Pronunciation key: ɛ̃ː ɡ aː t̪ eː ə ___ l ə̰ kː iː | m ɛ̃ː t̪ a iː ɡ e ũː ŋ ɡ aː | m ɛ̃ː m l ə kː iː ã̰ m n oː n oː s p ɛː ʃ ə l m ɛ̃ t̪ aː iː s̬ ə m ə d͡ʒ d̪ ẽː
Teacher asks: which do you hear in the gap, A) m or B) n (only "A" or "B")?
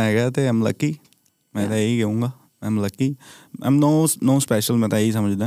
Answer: A